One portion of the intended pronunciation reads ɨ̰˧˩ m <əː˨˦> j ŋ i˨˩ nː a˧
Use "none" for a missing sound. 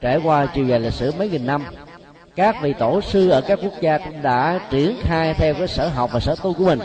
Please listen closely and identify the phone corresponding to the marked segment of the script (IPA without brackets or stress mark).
ə˨˦